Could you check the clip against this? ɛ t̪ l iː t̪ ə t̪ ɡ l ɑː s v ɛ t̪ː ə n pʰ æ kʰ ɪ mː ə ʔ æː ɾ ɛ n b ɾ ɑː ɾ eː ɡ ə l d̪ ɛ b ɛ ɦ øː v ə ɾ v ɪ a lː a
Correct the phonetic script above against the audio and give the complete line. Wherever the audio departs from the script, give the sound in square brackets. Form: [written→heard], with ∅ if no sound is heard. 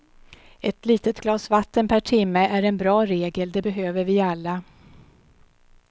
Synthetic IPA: ɛ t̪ l iː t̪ ə t̪ ɡ l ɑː s v [ɛ→a] t̪ː ə n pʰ æ [kʰ→ʈʰ] ɪ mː ə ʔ [æː→æ] ɾ ɛ n b ɾ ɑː ɾ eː ɡ ə l d̪ ɛ b ɛ ɦ øː v ə ɾ v ɪ a lː a